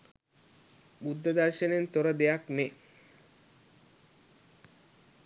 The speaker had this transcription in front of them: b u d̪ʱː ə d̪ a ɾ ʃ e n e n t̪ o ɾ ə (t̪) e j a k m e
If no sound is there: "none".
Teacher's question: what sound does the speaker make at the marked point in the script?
d̪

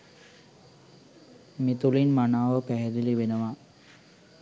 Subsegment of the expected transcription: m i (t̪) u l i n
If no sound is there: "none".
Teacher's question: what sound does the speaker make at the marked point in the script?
t̪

